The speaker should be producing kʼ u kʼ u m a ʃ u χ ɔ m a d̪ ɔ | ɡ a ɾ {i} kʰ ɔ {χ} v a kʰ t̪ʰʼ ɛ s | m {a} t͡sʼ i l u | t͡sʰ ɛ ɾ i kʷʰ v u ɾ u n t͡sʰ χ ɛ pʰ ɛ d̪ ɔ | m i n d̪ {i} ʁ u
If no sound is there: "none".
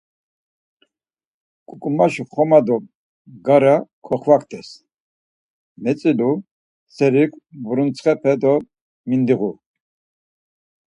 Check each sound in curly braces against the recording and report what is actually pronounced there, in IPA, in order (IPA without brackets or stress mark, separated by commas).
a, χ, ɛ, i